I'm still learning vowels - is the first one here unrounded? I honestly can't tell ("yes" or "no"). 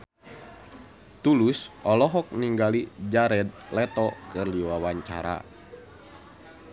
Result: no